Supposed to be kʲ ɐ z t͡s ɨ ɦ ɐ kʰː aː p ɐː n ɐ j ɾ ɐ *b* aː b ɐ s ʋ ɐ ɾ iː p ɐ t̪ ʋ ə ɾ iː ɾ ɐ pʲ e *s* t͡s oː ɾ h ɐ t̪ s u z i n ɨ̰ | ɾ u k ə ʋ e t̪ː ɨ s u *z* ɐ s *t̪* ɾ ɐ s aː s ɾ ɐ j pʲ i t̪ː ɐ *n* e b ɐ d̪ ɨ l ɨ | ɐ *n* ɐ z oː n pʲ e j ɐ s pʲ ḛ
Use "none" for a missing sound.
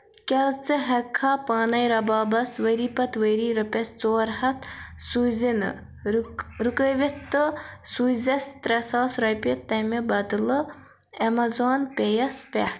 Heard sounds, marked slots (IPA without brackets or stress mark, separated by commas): b, s, z, t̪, m, m